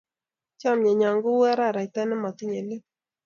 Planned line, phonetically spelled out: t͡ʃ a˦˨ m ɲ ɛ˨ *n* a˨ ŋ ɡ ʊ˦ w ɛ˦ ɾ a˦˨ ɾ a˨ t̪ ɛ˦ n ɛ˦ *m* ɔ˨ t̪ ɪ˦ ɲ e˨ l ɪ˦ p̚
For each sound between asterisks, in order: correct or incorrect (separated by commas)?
incorrect, correct